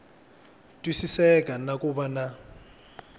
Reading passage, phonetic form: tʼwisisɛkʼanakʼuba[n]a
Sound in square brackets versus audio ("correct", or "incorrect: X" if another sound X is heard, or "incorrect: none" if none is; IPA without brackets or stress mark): correct